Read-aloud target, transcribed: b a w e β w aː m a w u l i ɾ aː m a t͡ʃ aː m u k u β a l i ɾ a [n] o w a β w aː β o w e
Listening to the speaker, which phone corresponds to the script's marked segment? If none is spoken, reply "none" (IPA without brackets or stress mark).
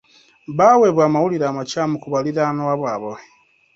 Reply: n